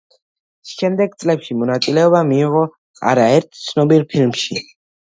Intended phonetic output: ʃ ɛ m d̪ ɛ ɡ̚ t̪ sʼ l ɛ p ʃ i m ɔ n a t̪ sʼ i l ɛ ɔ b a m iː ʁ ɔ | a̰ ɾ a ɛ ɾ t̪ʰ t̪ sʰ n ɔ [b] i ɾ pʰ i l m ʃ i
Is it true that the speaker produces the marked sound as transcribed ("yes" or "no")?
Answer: yes